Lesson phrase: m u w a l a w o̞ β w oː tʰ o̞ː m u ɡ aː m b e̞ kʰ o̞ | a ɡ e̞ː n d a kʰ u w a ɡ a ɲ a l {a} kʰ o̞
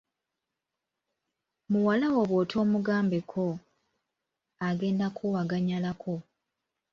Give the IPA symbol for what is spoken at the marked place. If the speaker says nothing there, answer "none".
a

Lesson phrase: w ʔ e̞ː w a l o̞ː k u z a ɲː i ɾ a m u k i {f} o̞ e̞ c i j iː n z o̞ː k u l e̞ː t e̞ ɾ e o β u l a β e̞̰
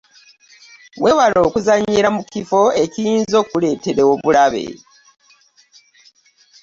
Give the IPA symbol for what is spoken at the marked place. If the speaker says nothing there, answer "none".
f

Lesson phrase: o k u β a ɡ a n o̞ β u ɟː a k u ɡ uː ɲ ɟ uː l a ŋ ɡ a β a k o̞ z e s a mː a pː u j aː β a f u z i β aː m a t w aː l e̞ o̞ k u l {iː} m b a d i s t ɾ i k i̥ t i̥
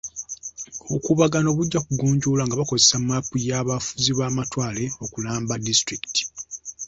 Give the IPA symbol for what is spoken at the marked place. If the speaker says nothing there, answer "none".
aː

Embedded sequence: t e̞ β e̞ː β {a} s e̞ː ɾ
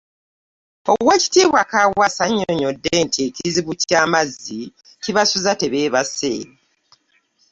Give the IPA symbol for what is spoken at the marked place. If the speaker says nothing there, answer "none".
a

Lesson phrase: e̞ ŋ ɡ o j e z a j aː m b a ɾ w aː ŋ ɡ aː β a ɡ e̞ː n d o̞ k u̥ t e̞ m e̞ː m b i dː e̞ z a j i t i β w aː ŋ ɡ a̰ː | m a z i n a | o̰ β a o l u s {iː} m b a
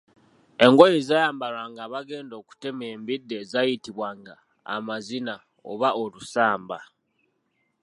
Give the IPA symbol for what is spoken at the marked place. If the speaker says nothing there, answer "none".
aː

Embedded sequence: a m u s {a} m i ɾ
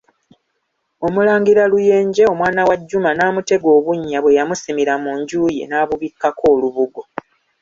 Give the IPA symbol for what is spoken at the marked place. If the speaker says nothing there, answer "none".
i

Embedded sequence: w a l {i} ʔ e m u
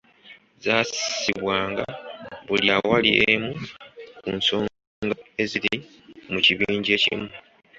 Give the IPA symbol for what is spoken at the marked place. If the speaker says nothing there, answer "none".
i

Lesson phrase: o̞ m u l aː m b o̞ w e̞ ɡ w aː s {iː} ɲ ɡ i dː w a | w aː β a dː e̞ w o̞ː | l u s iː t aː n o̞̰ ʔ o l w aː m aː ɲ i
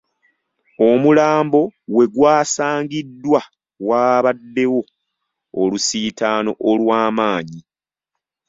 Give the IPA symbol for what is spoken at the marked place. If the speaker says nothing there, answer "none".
aː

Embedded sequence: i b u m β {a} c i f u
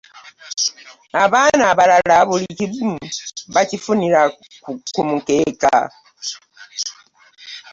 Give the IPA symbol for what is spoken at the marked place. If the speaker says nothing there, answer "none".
a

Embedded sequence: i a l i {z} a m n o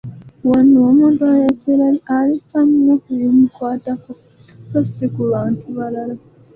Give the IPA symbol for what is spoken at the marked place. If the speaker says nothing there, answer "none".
s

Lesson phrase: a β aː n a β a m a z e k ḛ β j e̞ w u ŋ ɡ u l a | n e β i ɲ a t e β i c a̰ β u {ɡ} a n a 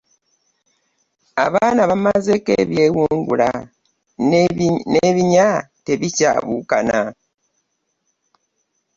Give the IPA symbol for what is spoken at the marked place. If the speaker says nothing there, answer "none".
k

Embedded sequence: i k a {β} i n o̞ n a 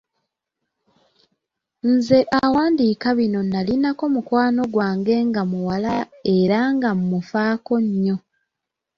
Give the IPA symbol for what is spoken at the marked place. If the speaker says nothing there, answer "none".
β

